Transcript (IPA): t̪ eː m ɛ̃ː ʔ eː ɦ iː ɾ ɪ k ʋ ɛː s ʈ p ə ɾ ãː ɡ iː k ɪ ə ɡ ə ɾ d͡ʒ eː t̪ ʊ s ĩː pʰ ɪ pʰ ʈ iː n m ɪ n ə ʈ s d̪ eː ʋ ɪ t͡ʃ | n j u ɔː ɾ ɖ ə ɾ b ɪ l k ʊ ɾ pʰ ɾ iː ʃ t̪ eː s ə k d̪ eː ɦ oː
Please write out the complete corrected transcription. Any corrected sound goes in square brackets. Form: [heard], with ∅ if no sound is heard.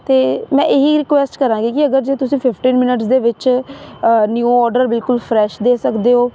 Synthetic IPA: t̪ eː m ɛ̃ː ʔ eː ɦ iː ɾ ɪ k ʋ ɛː s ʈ [k] ə ɾ ãː ɡ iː k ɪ ə ɡ ə ɾ d͡ʒ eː t̪ ʊ s ĩː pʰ ɪ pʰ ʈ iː n m ɪ n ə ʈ s d̪ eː ʋ ɪ t͡ʃ | n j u ɔː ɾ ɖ ə ɾ b ɪ l k ʊ [l] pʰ ɾ [ɛː] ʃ [d̪] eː s ə k d̪ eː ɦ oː